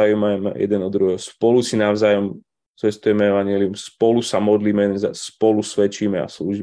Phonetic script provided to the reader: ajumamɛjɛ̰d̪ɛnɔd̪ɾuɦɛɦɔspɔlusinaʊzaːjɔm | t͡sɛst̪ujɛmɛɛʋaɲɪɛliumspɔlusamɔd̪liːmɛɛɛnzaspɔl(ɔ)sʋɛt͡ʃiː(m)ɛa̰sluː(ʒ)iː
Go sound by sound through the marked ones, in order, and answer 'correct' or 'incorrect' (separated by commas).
incorrect, correct, correct